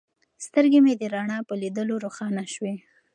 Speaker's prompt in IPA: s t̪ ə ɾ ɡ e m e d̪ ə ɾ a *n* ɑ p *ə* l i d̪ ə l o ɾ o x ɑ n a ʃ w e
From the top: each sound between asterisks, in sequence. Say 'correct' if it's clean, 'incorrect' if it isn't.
incorrect: ɳ, correct

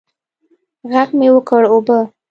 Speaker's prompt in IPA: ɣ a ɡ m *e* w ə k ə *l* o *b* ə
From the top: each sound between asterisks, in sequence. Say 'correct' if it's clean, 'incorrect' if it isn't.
correct, incorrect: ɽ, correct

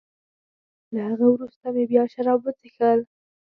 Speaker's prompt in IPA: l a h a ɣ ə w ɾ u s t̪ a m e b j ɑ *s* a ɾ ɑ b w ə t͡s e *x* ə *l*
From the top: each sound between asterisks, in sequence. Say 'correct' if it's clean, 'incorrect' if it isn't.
incorrect: ʃ, correct, correct

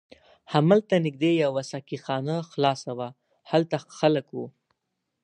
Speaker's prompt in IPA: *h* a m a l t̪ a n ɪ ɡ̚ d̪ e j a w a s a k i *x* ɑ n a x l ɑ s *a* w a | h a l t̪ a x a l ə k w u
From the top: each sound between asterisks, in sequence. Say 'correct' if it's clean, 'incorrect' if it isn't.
correct, correct, correct

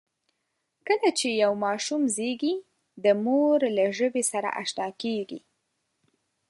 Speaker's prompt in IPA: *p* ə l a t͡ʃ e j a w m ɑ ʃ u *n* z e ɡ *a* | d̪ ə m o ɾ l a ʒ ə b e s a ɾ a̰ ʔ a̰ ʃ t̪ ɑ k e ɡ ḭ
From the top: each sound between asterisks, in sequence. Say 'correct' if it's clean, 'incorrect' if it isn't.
incorrect: k, incorrect: m, incorrect: i

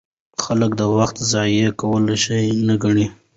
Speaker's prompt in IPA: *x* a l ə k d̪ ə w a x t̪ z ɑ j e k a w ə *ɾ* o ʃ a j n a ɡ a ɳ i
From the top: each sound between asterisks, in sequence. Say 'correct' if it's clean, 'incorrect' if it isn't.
correct, incorrect: l

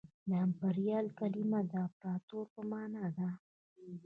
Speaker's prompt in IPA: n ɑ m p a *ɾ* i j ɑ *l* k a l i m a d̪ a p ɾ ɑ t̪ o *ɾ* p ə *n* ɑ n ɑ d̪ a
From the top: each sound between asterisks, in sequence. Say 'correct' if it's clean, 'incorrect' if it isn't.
correct, correct, correct, incorrect: m

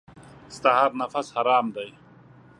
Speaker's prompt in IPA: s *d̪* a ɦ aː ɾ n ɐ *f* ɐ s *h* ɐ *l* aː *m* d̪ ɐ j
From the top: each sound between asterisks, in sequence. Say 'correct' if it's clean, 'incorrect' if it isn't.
incorrect: t̪, correct, correct, incorrect: ɾ, correct

